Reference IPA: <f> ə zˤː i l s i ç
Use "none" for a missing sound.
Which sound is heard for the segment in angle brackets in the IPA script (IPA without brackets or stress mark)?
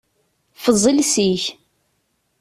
f